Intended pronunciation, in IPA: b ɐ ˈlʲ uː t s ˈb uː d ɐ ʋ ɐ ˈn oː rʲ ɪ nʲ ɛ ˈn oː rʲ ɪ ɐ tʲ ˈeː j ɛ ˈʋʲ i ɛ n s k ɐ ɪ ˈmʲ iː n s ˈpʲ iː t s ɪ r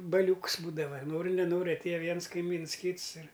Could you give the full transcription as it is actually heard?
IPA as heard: b ɐ ˈlʲ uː k s ˈb uː d ɐ ʋ ɐ ˈn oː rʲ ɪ nʲ ɛ ˈn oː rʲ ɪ ɐ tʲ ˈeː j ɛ ˈʋʲ i ɛ n s k ɐ ɪ ˈmʲ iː n s ˈkʲ iː t s ɪ r